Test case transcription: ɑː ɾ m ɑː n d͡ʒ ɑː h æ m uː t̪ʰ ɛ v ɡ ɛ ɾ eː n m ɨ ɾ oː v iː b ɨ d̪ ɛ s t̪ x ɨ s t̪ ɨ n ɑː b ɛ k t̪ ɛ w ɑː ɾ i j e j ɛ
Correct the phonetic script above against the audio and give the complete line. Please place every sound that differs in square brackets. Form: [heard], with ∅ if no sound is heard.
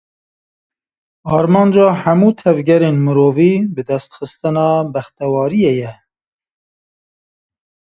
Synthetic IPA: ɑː ɾ m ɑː n d͡ʒ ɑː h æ m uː t̪ʰ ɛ v ɡ ɛ ɾ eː n m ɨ ɾ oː v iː b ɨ d̪ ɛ s t̪ x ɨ s t̪ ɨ n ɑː b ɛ [x] t̪ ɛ w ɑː ɾ i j e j ɛ